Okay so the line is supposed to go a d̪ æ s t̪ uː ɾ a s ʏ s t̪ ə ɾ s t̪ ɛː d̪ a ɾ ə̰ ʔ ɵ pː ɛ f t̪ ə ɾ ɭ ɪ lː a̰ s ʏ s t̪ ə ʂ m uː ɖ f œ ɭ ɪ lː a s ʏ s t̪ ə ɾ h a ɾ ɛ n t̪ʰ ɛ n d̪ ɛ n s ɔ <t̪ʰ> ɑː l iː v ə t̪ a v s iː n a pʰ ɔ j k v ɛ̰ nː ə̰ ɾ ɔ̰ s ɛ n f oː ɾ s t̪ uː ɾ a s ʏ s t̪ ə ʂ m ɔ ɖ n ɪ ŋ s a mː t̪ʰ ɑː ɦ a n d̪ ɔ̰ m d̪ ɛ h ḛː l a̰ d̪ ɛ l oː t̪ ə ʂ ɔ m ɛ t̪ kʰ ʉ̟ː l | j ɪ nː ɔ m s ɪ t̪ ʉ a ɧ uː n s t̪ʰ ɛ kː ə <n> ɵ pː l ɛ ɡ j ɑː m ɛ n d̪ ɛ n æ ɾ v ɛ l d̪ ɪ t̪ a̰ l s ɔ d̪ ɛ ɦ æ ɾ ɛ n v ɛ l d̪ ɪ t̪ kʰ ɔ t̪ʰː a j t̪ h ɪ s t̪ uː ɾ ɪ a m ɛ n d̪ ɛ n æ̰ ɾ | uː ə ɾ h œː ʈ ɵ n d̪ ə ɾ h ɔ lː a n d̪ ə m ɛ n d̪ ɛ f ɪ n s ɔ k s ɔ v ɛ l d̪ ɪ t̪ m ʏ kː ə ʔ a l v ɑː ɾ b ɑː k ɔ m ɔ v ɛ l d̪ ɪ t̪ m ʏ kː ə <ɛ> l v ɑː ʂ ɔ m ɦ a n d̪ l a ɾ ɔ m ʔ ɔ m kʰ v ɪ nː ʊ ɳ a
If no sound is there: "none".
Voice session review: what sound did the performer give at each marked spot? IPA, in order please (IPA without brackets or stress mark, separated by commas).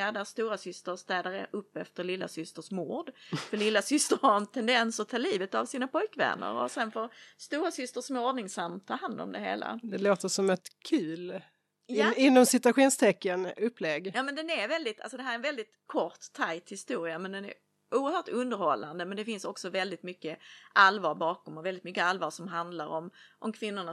t̪ʰ, n, a